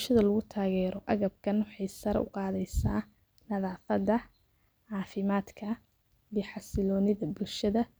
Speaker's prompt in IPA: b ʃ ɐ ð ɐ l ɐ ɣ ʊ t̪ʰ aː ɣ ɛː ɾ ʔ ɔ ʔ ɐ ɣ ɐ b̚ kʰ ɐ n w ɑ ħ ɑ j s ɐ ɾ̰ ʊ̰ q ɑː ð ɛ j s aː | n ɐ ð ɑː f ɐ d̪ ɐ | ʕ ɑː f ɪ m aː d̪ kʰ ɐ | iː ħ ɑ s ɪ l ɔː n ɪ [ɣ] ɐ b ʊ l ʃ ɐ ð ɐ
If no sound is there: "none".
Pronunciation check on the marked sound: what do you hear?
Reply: ð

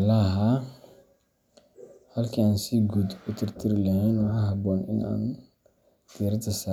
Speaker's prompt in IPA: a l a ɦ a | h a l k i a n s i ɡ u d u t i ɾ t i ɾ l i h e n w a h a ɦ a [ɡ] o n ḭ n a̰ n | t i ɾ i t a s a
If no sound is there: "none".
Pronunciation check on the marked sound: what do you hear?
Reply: b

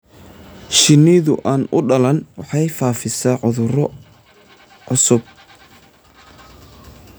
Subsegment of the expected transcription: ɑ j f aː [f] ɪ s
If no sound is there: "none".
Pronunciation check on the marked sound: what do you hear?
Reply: f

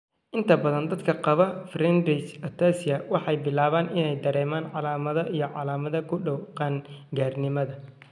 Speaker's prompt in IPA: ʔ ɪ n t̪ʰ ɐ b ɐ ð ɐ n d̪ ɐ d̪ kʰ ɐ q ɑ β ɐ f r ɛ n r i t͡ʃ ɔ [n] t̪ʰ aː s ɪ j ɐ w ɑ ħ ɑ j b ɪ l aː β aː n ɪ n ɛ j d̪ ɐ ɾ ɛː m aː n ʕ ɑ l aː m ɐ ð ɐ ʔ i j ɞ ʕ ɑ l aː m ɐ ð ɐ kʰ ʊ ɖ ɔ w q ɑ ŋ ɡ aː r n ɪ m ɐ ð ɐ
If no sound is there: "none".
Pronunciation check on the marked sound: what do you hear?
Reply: none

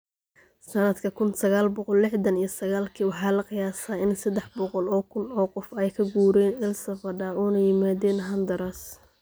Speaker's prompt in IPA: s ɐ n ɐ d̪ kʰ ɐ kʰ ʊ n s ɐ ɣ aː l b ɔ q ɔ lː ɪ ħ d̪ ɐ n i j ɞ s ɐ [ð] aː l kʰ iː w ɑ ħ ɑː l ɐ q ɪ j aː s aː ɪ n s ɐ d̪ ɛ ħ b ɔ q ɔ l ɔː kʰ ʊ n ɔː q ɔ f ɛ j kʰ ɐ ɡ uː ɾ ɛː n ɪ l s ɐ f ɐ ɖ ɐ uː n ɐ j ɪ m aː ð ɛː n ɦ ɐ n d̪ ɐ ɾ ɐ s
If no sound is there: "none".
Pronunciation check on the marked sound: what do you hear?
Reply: ɣ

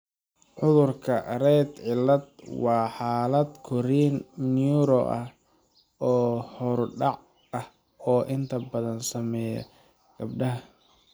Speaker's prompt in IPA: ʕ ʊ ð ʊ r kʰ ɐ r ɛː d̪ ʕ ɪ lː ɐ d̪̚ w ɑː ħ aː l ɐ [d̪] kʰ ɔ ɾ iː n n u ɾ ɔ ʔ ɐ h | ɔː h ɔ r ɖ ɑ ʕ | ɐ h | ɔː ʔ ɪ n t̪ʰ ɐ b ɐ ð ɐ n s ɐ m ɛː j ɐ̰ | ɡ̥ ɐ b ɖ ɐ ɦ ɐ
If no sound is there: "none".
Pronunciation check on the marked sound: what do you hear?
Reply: d̪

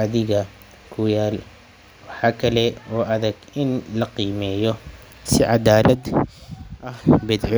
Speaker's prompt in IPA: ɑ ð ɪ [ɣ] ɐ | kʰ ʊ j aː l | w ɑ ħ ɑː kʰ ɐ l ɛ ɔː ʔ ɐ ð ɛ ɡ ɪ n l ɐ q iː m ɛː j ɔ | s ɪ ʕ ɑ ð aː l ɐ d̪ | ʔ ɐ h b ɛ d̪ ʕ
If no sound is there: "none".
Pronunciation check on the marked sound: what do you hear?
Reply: ɣ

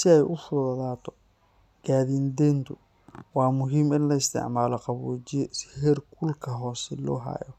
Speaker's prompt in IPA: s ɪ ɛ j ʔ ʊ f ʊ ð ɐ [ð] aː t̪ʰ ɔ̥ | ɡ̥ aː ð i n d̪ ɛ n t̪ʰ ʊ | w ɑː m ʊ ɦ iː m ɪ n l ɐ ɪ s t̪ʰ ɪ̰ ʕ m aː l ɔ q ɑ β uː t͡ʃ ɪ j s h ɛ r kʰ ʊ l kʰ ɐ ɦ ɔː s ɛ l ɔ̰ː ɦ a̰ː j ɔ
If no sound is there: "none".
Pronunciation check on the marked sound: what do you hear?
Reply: ð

